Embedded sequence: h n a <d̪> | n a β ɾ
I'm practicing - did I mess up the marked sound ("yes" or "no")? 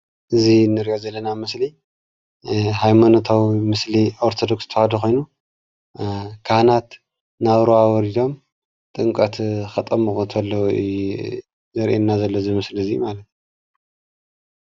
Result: yes